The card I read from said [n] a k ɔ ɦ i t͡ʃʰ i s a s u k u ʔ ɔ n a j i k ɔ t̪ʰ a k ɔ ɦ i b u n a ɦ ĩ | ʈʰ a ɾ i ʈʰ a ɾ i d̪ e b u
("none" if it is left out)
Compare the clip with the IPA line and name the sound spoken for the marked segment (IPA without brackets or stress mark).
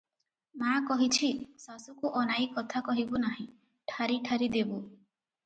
m